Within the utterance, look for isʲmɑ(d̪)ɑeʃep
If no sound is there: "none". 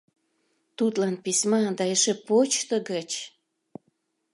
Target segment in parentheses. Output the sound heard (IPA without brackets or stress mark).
d̪